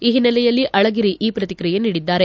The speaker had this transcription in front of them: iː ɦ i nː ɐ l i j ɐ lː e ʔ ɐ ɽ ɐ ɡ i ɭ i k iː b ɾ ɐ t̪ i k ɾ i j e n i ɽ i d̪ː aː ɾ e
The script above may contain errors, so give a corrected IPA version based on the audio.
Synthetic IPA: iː ɦ i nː ɐ l ɛ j ɐ lː i ʔ ɐ ɭ ɐ ɡ i ɾ i ʔ iː p ɾ ɐ t̪ i k ɾ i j e n iː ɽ i d̪ː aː ɾ e